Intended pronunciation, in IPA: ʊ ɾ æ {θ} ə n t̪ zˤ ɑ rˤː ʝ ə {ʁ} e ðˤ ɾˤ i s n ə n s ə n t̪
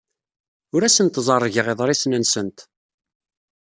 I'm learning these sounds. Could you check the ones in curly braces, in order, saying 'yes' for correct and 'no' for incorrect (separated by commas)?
no, yes